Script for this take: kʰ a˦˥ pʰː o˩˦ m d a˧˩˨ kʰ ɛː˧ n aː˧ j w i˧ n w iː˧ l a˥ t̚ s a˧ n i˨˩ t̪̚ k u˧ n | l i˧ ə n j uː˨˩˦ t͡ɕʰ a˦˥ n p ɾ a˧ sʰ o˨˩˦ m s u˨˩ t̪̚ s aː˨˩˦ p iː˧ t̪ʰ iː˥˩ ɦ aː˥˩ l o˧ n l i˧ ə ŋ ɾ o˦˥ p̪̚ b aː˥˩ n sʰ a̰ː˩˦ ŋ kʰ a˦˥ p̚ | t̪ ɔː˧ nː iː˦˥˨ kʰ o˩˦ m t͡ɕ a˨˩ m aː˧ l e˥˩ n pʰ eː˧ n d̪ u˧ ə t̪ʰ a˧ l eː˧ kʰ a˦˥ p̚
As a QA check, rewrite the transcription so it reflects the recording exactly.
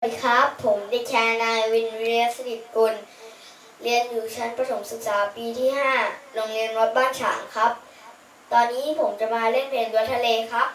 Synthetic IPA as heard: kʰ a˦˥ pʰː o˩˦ m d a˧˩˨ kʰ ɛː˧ n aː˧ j w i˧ n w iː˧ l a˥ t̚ s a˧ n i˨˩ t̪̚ k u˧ n | l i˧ ə n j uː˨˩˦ t͡ɕʰ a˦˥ n p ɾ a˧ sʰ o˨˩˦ m s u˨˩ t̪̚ s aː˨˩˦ p iː˧ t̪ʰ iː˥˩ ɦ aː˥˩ l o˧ ŋ l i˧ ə n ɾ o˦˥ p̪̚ b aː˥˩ n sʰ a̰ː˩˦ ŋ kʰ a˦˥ p̚ | t̪ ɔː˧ nː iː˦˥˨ pʰ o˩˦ m t͡ɕ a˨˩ m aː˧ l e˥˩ n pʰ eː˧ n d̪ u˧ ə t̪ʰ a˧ l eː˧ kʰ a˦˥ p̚